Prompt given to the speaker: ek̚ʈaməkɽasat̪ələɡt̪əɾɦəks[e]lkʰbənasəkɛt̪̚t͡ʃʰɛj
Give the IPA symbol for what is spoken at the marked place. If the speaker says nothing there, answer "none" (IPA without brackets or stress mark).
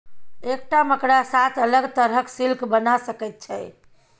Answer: i